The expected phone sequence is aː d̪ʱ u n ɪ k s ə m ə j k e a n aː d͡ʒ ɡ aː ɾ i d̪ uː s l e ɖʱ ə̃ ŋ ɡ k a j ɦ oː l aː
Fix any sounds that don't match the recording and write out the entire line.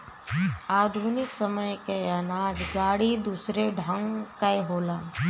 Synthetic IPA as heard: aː d̪ʱ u n ɪ k s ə m ə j k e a n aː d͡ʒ ɡ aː ɽ i d̪ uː s ɾ e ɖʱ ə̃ ŋ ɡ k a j ɦ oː l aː